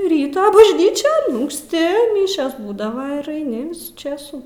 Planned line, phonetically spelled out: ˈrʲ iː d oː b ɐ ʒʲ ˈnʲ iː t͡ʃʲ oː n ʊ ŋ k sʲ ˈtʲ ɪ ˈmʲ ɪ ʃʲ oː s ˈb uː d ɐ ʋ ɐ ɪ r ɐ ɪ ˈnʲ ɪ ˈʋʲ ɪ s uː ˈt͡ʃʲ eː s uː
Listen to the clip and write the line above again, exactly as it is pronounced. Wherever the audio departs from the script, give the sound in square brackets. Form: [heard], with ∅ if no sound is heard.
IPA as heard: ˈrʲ iː [t] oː b ɐ ʒʲ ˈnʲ iː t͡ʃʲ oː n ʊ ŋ k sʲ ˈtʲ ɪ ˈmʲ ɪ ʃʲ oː s ˈb uː d ɐ ʋ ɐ ɪ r ɐ ɪ ˈnʲ ɪ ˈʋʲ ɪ s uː ˈt͡ʃʲ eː s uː